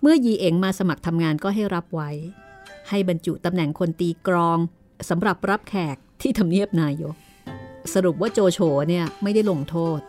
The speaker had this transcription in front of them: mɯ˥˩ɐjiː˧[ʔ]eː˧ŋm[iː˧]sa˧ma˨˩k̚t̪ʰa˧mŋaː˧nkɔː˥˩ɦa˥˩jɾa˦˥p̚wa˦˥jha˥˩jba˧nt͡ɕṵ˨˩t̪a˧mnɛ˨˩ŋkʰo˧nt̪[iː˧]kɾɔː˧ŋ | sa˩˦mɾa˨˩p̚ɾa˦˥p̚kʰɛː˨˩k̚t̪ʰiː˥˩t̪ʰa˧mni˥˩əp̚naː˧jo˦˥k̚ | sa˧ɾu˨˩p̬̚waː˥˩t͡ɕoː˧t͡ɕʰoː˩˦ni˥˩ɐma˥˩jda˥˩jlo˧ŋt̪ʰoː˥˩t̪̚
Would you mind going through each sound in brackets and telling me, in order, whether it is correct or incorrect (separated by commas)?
correct, incorrect, correct